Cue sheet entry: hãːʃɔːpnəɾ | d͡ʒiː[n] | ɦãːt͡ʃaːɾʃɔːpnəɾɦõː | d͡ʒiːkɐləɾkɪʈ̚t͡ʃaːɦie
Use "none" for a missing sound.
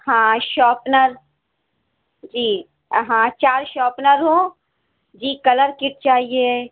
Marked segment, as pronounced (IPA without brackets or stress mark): none